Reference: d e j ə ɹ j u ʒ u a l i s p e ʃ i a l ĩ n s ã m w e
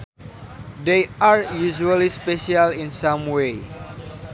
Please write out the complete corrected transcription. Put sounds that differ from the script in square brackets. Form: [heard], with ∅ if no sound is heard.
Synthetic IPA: d e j [a] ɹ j u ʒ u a l i s p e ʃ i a l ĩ n s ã m w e